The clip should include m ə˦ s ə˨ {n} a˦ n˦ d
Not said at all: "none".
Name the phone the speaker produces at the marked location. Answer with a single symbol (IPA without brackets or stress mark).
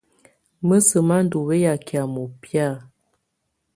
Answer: m